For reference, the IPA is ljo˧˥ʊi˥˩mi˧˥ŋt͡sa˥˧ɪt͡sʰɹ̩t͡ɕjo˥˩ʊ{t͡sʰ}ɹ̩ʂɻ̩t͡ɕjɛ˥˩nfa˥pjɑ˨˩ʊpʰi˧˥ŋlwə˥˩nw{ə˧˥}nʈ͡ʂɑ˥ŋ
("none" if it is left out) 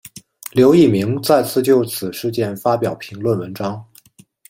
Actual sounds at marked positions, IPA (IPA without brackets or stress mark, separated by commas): t͡sʰ, ə˧˥